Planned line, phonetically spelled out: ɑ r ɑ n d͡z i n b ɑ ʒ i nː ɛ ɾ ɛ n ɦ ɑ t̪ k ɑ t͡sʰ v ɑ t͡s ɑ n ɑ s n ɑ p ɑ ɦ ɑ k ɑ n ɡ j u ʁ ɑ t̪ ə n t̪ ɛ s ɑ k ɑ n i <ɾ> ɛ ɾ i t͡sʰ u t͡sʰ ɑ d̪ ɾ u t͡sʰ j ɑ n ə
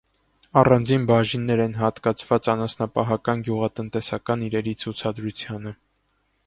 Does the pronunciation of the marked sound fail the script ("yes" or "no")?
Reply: no